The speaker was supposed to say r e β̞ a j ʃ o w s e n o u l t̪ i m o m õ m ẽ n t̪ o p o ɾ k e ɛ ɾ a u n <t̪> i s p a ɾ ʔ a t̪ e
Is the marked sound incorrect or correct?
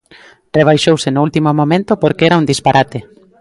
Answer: incorrect